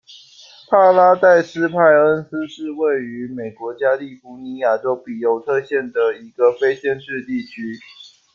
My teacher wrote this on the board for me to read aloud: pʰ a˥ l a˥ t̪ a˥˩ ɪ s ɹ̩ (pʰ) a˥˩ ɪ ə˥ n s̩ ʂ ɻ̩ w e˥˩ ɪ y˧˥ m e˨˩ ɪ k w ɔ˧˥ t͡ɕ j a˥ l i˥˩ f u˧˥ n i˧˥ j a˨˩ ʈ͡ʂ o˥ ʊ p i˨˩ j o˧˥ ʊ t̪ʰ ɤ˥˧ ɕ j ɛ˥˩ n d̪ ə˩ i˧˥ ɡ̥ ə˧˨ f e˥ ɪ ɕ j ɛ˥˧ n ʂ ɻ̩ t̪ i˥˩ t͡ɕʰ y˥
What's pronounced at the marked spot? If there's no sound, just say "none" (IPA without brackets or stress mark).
pʰ